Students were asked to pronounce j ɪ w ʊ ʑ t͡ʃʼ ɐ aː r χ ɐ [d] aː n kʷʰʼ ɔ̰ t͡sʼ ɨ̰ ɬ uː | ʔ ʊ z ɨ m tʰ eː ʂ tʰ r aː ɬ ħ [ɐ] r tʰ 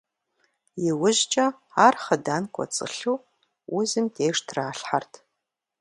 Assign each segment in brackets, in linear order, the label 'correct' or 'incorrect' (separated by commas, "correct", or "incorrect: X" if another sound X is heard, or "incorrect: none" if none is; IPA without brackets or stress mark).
correct, incorrect: a